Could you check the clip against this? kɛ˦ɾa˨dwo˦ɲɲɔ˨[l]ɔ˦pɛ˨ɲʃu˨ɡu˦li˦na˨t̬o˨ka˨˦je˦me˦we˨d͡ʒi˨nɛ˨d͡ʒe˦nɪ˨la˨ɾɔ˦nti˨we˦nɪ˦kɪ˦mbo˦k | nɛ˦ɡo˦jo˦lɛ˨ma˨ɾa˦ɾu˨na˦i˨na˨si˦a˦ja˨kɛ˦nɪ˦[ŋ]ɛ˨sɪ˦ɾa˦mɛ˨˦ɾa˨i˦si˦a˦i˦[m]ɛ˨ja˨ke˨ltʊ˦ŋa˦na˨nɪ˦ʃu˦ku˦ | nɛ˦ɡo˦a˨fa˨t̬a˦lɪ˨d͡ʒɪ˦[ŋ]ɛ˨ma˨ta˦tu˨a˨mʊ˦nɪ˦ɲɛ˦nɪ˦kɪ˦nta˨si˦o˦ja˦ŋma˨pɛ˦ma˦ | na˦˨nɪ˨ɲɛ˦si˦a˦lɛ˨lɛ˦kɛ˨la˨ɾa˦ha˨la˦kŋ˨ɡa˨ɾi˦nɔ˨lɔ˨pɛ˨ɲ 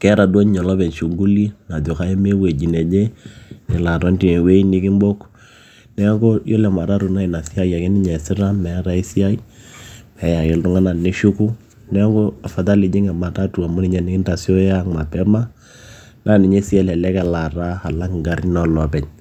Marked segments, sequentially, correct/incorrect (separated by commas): correct, incorrect, correct, correct